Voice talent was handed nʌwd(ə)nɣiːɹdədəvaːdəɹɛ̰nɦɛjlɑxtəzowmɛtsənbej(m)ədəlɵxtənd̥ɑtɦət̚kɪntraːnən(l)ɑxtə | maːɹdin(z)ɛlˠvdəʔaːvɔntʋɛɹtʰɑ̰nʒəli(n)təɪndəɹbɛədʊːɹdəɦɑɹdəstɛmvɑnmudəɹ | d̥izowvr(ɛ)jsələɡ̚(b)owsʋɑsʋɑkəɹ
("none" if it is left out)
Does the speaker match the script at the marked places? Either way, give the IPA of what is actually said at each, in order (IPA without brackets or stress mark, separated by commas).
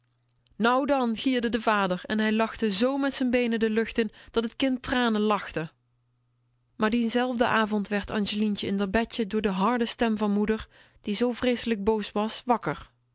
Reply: ɑ, n, l, z, n, e, b